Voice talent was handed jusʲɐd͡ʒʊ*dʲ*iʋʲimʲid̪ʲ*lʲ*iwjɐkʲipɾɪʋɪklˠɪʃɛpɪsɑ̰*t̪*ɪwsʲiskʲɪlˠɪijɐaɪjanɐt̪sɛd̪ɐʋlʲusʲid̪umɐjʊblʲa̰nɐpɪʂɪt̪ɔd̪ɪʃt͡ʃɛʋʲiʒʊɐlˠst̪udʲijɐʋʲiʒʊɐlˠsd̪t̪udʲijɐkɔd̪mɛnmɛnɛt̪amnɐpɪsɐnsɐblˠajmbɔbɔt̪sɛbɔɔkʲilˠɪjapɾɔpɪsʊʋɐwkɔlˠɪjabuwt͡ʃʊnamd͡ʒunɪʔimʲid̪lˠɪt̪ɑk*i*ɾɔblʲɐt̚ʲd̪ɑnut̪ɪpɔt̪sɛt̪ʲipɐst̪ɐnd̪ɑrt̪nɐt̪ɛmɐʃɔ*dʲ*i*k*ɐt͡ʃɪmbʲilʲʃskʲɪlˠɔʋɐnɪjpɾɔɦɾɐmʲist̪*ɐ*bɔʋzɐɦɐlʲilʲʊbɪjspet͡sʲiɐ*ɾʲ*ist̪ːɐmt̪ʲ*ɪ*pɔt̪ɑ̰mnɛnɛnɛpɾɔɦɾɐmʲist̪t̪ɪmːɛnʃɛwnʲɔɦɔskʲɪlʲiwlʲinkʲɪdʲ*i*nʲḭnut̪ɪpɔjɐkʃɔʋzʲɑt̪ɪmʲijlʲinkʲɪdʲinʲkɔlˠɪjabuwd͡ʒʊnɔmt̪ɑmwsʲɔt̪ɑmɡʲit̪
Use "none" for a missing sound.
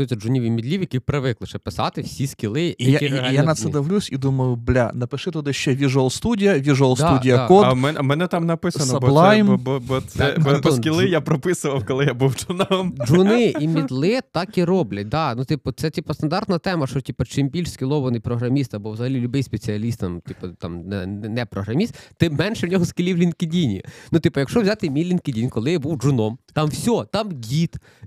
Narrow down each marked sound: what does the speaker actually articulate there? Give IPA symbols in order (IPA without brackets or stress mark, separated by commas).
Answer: nʲ, lʲ, t̪, i, tʲ, p, ɐ, lʲ, i, i